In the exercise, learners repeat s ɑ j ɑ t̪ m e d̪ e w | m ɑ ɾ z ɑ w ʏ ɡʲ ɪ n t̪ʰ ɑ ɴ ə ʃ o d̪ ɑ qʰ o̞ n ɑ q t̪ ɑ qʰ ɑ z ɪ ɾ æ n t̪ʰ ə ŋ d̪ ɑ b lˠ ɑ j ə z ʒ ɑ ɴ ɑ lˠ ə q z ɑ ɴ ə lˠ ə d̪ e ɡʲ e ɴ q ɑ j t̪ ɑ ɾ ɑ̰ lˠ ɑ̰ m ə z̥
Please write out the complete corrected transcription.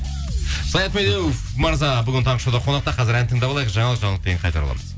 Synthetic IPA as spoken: s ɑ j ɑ t̪ m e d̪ e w | m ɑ ɾ z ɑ b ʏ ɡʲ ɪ n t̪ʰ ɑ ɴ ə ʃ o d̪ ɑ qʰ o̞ n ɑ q t̪ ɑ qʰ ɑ z ɪ ɾ æ n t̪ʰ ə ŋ d̪ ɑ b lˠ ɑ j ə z ʒ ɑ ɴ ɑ lˠ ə q ʒ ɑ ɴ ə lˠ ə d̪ e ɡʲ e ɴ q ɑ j t̪ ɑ ɾ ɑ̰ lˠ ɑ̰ m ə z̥